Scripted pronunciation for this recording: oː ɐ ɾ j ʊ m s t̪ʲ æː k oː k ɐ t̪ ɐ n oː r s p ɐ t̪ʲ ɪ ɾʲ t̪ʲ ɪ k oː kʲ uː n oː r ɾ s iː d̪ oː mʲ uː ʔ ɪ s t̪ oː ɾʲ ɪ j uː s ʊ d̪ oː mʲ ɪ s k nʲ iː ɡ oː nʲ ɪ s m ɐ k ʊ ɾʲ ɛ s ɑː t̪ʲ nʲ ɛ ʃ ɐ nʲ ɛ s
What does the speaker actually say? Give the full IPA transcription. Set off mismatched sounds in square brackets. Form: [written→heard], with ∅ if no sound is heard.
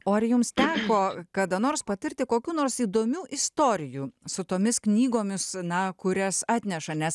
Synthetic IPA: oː ɐ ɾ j ʊ m s t̪ʲ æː k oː k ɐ [t̪→d̪] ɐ n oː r s p ɐ t̪ʲ ɪ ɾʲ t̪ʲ ɪ k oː kʲ uː n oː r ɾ s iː d̪ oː mʲ uː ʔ ɪ s t̪ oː ɾʲ ɪ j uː s ʊ [d̪→t̪] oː mʲ ɪ s k nʲ iː ɡ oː [nʲ→mʲ] ɪ s [m→n] ɐ k ʊ ɾʲ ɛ s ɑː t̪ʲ nʲ ɛ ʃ ɐ nʲ ɛ s